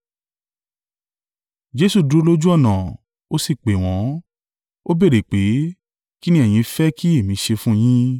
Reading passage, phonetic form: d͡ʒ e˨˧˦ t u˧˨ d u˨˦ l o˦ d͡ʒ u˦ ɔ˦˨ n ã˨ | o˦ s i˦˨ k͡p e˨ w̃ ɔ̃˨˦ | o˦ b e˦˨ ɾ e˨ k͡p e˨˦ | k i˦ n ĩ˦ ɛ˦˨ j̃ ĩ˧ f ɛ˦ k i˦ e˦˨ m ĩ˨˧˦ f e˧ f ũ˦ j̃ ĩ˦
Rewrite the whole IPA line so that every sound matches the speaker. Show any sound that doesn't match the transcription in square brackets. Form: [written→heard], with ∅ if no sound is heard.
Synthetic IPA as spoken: d͡ʒ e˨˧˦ [t→s] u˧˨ d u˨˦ l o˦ d͡ʒ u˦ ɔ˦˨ n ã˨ | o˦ s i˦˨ k͡p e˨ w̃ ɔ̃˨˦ | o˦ b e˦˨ ɾ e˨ k͡p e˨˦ | k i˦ n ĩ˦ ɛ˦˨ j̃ ĩ˧ f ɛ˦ k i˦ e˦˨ m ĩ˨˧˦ [f→ʃ] e˧ f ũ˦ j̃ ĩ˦